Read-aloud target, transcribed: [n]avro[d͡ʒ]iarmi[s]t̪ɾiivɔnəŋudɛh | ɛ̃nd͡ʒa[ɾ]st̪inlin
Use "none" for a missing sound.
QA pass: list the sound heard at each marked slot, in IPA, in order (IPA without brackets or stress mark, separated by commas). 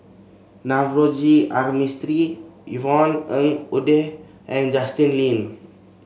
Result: n, d͡ʒ, s, none